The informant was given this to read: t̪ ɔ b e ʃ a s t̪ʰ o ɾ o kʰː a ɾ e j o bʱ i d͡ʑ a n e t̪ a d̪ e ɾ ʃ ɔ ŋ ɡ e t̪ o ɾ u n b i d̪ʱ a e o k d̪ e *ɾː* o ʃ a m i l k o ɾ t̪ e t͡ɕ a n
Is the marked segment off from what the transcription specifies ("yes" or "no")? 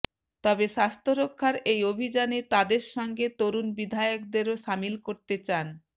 yes